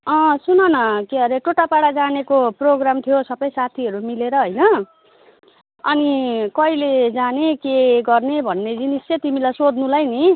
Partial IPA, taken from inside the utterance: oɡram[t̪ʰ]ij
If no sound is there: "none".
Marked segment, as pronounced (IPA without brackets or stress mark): t̪ʰ